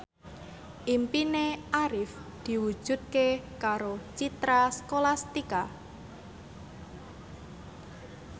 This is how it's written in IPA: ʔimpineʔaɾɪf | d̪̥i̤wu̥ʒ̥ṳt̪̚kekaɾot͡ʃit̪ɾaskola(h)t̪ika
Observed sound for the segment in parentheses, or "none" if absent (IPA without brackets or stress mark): s